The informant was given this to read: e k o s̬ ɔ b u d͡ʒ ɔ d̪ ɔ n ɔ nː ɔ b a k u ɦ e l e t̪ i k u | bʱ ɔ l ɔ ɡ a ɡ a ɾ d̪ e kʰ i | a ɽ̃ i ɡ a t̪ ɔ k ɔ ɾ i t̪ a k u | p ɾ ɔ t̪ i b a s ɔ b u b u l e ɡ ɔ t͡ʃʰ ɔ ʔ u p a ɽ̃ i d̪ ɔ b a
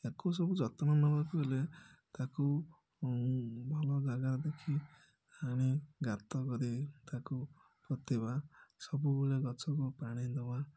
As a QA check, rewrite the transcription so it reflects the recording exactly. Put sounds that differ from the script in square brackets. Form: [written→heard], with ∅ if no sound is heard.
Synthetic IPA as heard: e k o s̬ ɔ b u d͡ʒ ɔ [d̪→t̪] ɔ n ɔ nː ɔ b a k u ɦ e l e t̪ [i→a] k u | bʱ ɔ l ɔ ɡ a ɡ a ɾ d̪ e kʰ i | a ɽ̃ i ɡ a t̪ ɔ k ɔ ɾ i t̪ a k u | p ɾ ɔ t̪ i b a s ɔ b u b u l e ɡ ɔ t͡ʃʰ ɔ [ʔ→k] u p a ɽ̃ i d̪ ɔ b a